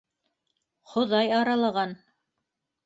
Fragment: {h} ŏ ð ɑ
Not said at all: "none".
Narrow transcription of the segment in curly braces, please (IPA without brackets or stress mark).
χ